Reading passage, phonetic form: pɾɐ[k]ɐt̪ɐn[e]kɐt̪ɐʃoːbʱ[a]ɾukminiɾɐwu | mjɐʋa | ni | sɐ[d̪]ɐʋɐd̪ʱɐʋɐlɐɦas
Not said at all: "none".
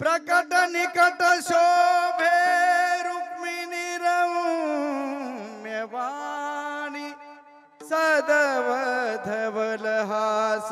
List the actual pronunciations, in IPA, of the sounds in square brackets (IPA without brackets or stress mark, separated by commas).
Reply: k, i, e, d̪